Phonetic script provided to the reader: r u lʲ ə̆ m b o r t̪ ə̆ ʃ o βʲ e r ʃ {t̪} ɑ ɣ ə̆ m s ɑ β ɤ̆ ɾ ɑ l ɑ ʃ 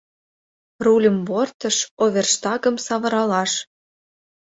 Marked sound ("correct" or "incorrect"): correct